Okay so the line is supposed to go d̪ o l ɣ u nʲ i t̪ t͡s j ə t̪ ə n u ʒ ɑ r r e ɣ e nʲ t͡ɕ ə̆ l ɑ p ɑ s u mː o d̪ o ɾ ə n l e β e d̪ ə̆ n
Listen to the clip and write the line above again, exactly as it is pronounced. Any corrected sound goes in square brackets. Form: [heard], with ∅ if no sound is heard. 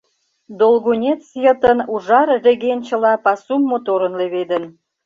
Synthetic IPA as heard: d̪ o l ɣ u nʲ [e] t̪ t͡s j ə t̪ ə n u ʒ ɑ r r e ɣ e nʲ t͡ɕ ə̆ l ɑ p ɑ s u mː o [t̪] o ɾ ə n l e β e d̪ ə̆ n